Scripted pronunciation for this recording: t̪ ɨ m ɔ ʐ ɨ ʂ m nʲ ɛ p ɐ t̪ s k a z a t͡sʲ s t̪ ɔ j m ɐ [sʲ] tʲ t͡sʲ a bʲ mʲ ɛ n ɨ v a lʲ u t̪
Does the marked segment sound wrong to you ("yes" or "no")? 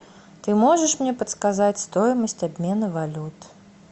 no